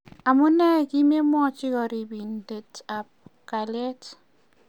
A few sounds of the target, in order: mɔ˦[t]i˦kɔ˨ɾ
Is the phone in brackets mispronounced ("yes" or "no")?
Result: yes